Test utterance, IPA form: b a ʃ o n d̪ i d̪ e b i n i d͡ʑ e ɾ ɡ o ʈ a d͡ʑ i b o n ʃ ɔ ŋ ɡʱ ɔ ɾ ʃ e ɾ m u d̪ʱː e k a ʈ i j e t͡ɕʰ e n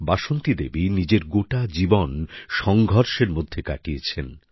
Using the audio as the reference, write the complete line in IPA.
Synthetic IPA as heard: b a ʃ o n t̪ i d̪ e b i n i d͡ʑ e ɾ ɡ o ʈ a d͡ʑ i b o n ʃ ɔ ŋ ɡʱ ɔ ɾ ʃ e ɾ m o d̪ʱː e k a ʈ i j e t͡ɕʰ e n

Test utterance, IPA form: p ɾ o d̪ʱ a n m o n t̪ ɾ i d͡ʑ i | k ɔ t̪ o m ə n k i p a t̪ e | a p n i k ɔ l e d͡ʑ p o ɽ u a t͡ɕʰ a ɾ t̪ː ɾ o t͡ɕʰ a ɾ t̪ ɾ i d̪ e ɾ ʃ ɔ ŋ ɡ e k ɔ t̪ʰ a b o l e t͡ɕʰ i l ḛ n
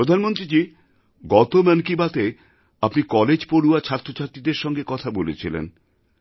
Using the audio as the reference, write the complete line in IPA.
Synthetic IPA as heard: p ɾ o d̪ʱ a n m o n t̪ ɾ i d͡ʑ i | ɡ ɔ t̪ o m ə n k i b a t̪ e | a p n i k ɔ l e d͡ʑ p o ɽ u a t͡ɕʰ a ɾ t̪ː ɾ o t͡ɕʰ a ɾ t̪ ɾ i d̪ e ɾ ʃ ɔ ŋ ɡ e k ɔ t̪ʰ a b o l e t͡ɕʰ i l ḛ n

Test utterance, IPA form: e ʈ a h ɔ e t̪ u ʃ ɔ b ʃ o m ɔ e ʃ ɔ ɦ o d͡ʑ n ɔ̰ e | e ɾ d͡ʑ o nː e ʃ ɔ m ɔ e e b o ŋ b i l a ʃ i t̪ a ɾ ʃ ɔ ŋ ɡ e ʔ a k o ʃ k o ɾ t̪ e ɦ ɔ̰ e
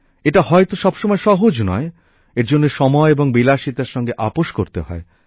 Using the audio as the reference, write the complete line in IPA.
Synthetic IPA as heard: e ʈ a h ɔ e t̪ o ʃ ɔ b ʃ o m ɔ e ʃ ɔ ɦ o d͡ʑ n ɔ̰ e | e ɾ d͡ʑ o nː e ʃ ɔ m ɔ e e b o ŋ b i l a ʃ i t̪ a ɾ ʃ ɔ ŋ ɡ e ʔ a p o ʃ k o ɾ t̪ e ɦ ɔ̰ e

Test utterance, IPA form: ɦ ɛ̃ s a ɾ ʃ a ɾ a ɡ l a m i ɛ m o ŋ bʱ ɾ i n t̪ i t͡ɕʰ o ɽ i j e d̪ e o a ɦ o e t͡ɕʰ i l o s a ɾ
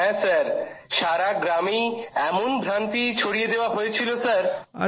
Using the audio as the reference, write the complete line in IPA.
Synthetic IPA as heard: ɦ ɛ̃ s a ɾ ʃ a ɾ a ɡ ɾ a m i ɛ m o n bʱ ɾ a n t̪ i t͡ɕʰ o ɽ i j e d̪ e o a ɦ o e t͡ɕʰ i l o s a ɾ

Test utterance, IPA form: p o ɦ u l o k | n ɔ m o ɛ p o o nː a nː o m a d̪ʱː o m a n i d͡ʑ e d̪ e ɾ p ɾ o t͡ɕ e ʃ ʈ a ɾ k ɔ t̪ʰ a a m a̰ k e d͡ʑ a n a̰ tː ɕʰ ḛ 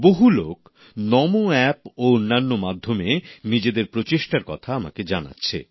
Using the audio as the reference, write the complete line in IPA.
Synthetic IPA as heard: b o ɦ u l o k | n ɔ m o ɛ p o o nː a nː o m a d̪ʱː o m e n i d͡ʑ e d̪ e ɾ p ɾ o t͡ɕ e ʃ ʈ a ɾ k ɔ t̪ʰ a a m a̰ k e d͡ʑ a n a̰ tː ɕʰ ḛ

